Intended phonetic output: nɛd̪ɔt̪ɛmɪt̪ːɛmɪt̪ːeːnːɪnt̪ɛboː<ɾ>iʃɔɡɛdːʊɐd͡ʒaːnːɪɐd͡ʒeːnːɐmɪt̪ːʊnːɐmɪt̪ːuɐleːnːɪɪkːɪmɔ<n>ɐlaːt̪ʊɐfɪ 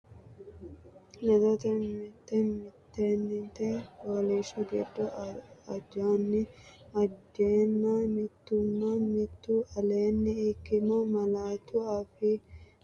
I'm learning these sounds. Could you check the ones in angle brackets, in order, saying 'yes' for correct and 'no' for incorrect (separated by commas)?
no, no